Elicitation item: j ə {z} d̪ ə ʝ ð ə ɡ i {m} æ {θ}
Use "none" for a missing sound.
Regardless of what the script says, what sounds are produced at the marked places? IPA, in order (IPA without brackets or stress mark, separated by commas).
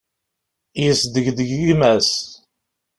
s, m, s